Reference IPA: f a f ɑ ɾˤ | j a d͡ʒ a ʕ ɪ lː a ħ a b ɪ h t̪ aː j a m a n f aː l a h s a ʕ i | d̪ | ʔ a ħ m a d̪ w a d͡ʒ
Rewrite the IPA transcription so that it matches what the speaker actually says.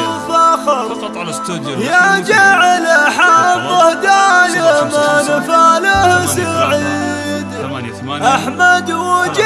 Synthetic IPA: f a x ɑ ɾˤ | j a d͡ʒ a ʕ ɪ l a ħ a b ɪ h d̪ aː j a m a n f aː l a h s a ʕ i | d̪ | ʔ a ħ m a d̪ w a d͡ʒ

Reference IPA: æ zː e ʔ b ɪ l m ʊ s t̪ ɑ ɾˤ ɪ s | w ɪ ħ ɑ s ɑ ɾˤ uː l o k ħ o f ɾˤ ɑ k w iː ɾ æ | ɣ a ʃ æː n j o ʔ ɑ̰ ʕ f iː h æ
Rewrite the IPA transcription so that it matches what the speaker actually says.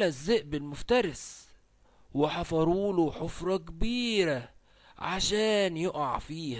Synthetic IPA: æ zː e ʔ b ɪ l m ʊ f t̪ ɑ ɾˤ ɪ s | w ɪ ħ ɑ f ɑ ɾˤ uː l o ħ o f ɾˤ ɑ k b iː ɾ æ | ʕ a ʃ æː n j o ʔ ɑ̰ ʕ f iː h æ

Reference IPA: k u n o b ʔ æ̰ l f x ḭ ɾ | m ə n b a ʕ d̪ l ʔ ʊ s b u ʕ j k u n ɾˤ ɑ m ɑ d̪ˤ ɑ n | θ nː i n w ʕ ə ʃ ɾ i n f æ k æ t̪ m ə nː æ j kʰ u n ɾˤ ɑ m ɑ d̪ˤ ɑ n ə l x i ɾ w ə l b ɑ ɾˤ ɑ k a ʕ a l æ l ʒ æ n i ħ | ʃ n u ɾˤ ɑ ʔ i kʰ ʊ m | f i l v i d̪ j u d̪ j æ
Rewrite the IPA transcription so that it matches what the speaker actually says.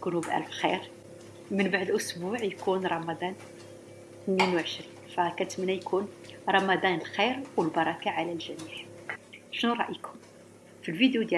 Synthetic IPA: k u n u b ʔ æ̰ l f x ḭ ɾ | m ə n b a ʕ d̪ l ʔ ʊ s b u ʕ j k u n ɾˤ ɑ m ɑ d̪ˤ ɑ n | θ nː i n w ʕ ə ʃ ɾ i n f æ k æ t̪ m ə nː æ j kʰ u n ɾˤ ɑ m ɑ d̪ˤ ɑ n ə l x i ɾ w ə l b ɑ ɾˤ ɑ k a ʕ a l æ l ʒ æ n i ħ | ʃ n u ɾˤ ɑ ʔ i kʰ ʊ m | f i l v i d̪ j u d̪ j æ

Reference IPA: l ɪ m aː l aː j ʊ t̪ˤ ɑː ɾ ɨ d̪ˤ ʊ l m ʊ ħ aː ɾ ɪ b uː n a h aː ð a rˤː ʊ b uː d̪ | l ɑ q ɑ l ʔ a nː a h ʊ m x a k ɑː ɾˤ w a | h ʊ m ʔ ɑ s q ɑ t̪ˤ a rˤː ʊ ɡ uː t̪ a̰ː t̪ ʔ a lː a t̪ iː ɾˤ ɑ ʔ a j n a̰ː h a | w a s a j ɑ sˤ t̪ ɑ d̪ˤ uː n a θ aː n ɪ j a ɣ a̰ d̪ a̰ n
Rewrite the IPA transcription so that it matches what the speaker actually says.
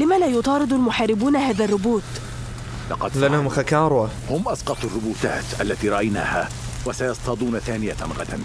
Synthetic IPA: l ɪ m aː l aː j ʊ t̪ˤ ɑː ɾ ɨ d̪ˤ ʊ l m ʊ ħ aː ɾ ɪ b uː n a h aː ð a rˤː ʊ b uː t̪ | l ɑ q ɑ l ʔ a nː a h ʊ m x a k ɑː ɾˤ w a | h ʊ m ʔ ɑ s q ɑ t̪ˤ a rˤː ʊ b uː t̪ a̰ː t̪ ʔ a lː a t̪ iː ɾˤ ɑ ʔ a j n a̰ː h a | w a s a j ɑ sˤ t̪ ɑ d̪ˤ uː n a θ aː n ɪ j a ɣ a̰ d̪ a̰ n

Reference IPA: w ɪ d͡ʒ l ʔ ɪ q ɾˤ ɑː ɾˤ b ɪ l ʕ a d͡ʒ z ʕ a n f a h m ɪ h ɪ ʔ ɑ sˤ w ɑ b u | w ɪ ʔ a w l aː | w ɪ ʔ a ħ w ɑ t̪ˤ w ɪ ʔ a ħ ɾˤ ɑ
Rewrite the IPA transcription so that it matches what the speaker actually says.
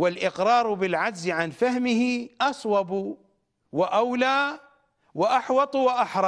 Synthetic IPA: w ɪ l ʔ ɪ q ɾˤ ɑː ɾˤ b ɪ l ʕ a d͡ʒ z ʕ a n f a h m ɪ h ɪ ʔ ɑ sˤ w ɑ b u | w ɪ ʔ a w l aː | w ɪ ʔ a ħ w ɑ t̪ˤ w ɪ ʔ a ħ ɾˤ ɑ

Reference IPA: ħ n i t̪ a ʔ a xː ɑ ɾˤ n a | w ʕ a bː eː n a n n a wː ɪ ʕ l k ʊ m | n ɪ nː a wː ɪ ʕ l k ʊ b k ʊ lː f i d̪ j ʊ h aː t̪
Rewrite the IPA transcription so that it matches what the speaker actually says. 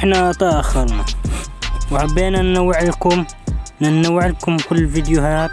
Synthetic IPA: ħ n a t̪ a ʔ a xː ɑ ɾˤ n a | w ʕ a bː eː n a n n a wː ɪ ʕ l k ʊ m | n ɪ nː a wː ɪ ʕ l k ʊ m k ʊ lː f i d̪ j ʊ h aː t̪

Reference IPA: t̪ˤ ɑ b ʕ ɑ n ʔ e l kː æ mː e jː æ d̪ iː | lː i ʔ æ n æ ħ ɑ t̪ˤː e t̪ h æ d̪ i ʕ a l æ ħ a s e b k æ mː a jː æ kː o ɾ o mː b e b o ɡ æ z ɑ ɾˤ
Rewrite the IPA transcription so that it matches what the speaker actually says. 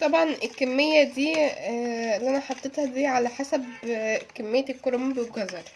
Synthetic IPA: t̪ˤ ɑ b ʕ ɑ n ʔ e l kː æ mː e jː æ d̪ iː | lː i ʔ æ n æ ħ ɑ t̪ˤː e t̪ h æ d̪ iː ʕ a l æ ħ a s æ b k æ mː e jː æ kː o ɾ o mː b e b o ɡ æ z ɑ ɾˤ

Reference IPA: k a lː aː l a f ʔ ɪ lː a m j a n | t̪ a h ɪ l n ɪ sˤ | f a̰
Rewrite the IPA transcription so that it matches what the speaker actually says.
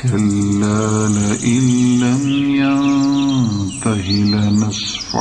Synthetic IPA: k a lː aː l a ʔ ɪ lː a m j a n | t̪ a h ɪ l n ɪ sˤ | f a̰

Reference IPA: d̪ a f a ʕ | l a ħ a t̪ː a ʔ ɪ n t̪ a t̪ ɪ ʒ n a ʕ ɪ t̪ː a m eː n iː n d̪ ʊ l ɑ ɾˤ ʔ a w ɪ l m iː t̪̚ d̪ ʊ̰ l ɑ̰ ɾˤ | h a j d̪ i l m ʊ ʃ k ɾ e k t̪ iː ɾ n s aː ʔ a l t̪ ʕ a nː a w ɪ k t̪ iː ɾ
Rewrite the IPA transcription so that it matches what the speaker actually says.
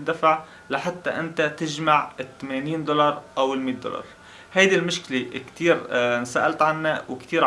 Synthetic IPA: d̪ a f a ʕ | l a ħ a t̪ː a ʔ ɪ n t̪ a t̪ ɪ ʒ m a ʕ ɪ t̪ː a m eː n iː n d̪ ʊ l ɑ ɾˤ ʔ a w ɪ l m iː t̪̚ d̪ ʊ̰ l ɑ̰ ɾˤ | h a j d̪ i l m ʊ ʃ k l e k t̪ iː ɾ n s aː ʔ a l t̪ ʕ a nː a w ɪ k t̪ iː ɾ

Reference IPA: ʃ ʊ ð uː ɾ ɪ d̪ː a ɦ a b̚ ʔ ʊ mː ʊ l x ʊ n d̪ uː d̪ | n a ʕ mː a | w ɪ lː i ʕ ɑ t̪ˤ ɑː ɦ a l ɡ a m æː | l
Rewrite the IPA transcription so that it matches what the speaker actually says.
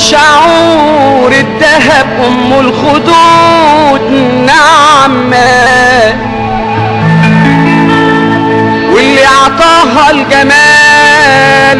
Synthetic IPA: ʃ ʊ ʕ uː ɾ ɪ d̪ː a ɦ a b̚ ʔ ʊ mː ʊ l x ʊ d̪ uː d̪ | n a ʕ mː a | w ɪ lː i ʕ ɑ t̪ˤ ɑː ɦ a l ɡ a m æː | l

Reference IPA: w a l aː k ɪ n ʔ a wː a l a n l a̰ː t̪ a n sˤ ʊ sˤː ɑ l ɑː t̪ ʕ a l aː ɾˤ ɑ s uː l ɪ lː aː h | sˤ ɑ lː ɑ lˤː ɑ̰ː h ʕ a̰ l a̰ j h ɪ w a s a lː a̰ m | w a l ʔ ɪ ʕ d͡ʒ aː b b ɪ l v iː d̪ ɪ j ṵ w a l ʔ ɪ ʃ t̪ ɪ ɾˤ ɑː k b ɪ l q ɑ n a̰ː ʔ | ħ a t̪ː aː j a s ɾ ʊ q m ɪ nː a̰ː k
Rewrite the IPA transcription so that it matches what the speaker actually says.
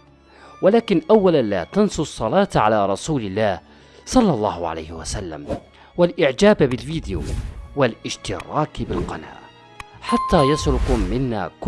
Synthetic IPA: w a l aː k ɪ n ʔ a wː a l a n l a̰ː t̪ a n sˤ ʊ sˤː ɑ l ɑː t̪ ʕ a l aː ɾˤ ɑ s uː l ɪ lː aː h | sˤ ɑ lː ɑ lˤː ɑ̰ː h ʕ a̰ l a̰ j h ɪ w a s a lː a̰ m | w a l ʔ ɪ ʕ d͡ʒ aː b b ɪ l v iː d̪ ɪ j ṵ w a l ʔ ɪ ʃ t̪ ɪ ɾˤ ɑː k b ɪ l q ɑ n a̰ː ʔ | ħ a t̪ː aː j a s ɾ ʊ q m ɪ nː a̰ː k

